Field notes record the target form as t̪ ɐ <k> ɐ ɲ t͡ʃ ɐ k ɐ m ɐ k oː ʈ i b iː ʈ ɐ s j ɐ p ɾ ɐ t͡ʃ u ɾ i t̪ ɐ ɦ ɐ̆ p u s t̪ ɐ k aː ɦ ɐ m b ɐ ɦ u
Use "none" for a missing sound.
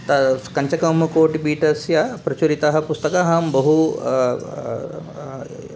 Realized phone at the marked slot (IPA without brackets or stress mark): k